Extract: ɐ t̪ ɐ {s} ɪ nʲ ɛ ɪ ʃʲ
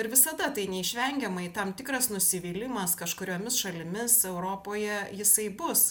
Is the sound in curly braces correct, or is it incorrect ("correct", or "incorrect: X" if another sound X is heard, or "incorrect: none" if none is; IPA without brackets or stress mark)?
incorrect: none